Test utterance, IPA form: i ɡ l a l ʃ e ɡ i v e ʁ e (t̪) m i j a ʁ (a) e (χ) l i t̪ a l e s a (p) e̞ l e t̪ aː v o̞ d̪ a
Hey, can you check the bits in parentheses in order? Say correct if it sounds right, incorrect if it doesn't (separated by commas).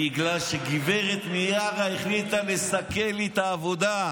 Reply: correct, correct, correct, incorrect